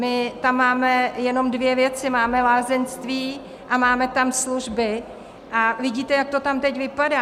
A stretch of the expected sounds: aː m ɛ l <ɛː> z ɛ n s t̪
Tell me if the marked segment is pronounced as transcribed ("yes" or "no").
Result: no